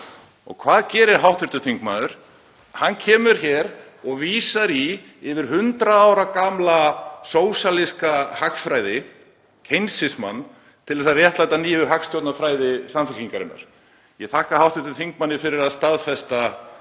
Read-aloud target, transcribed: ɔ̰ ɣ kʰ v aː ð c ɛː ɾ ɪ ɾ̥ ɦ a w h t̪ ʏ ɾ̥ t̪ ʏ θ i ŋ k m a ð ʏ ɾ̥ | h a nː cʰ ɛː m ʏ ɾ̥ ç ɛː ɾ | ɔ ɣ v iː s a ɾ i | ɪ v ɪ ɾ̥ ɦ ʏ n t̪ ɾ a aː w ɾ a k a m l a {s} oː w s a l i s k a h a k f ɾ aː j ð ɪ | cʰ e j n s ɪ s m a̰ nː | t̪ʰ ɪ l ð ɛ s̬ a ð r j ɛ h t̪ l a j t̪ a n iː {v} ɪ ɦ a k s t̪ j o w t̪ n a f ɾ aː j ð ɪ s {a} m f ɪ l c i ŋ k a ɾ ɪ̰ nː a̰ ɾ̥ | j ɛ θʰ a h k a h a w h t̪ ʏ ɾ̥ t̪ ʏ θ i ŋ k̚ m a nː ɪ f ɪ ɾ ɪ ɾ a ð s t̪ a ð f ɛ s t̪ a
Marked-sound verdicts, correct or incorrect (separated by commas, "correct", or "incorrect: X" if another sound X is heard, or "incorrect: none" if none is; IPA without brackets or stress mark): correct, correct, correct